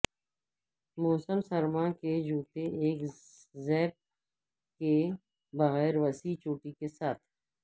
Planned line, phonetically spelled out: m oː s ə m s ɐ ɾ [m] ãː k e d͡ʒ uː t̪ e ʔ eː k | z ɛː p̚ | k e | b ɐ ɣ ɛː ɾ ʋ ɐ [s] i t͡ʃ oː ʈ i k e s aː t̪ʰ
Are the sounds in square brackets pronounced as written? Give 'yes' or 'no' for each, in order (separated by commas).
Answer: yes, yes